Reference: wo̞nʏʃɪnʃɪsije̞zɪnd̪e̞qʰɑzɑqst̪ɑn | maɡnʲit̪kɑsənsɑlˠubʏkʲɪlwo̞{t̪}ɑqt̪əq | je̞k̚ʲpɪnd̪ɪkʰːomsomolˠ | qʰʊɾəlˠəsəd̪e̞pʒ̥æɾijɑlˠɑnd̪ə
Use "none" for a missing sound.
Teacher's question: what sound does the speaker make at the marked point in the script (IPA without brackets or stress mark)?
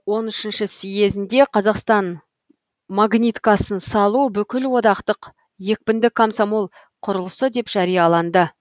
d̪